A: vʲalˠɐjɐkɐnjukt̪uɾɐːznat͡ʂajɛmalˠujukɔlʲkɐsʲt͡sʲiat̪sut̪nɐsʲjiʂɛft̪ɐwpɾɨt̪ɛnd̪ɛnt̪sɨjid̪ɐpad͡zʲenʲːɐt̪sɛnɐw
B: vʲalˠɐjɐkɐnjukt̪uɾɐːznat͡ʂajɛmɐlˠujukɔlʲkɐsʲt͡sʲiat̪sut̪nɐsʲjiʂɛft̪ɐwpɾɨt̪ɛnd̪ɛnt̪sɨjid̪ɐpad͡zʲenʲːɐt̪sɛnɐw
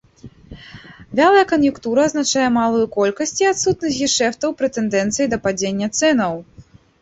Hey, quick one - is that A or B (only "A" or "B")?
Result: A